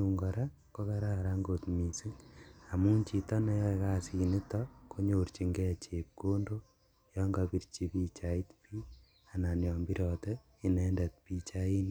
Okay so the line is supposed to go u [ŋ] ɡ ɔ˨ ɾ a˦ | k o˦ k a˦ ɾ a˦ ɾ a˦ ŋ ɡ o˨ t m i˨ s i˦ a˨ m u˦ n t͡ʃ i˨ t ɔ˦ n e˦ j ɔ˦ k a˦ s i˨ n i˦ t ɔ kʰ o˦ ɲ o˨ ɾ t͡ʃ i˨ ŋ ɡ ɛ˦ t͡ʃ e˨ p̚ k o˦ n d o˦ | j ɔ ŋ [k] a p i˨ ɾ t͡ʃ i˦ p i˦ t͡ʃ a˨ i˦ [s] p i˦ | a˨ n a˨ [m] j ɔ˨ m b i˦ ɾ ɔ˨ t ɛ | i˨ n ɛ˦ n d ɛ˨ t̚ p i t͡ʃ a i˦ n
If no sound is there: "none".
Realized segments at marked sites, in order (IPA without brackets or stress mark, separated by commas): ŋ, ɡ, t, n